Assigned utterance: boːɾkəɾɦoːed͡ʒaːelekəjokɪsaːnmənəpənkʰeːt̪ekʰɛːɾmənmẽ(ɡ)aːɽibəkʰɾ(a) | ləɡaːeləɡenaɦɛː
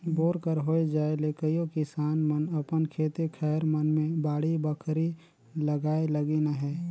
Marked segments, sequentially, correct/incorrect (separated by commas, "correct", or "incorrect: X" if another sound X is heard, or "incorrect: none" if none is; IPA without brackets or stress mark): incorrect: b, incorrect: i